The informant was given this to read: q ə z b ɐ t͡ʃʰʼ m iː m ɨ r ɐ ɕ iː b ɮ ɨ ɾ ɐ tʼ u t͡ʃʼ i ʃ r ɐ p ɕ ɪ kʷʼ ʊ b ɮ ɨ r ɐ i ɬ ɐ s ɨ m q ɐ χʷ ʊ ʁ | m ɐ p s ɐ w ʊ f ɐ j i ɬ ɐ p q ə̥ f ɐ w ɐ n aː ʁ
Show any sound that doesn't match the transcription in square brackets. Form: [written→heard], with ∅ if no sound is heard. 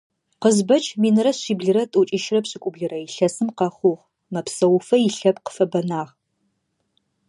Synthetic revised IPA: q ə z b ɐ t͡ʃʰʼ m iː [m→n] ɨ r ɐ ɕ iː b ɮ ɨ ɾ ɐ tʼ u t͡ʃʼ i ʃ r ɐ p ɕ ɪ kʷʼ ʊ b ɮ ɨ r ɐ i ɬ ɐ s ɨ m q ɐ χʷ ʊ ʁ | m ɐ p s ɐ w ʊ f ɐ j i ɬ ɐ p q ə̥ f ɐ [w→b] ɐ n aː ʁ